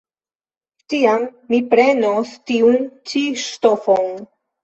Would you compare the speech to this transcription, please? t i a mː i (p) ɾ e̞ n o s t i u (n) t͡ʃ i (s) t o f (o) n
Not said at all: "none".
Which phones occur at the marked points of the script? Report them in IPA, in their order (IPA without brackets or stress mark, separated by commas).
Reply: p, n, ʃ, o